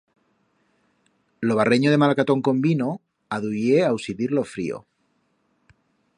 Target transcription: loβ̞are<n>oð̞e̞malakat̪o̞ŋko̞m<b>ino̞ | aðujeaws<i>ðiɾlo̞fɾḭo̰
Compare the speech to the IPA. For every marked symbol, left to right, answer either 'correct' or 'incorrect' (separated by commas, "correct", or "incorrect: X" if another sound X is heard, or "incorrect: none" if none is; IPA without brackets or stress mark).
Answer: incorrect: ɲ, correct, correct